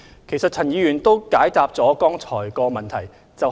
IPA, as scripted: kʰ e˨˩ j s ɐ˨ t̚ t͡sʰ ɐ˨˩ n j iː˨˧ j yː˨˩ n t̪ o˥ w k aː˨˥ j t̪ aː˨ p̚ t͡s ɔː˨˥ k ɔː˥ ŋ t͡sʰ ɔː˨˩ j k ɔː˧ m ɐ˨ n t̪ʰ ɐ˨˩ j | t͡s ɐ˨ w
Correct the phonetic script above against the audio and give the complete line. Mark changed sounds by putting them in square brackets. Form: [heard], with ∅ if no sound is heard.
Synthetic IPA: kʰ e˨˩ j s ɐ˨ t̚ t͡sʰ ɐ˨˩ n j iː˨˧ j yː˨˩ n t̪ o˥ w k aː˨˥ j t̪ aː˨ p̚ t͡s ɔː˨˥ k ɔː˥ ŋ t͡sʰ ɔː˨˩ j k ɔː˧ m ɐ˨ n t̪ʰ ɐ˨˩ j | t͡s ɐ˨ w